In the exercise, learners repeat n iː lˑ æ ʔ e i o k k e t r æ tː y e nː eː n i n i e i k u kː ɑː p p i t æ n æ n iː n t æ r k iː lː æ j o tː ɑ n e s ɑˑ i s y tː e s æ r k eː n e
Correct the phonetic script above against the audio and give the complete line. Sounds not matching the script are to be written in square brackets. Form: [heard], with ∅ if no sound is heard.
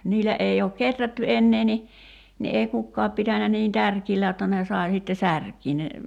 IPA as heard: n iː lˑ æ ʔ e i [oː] k k e t r æ tː y e nː eː n i n i e i k u kː ɑː p p i t æ n æ n iː n t æ r k iː lː æ j o tː ɑ n e s ɑˑ i s [i] tː e s æ r k [iː] n e